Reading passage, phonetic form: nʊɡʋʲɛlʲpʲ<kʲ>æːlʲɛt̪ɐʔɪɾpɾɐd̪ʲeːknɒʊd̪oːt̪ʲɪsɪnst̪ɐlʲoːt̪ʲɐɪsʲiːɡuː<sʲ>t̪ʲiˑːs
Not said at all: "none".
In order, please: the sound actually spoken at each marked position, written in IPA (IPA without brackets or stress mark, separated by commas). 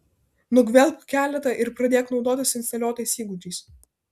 kʲ, none